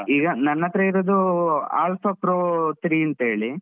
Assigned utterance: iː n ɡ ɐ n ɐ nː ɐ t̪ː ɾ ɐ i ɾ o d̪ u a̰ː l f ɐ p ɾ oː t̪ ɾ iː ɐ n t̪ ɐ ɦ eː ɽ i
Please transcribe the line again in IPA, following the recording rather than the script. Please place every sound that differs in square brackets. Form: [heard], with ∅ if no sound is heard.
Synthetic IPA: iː [∅] ɡ ɐ n ɐ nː ɐ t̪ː ɾ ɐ i ɾ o d̪ u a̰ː l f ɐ p ɾ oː t̪ ɾ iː ɐ n t̪ ɐ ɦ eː [ɭ] i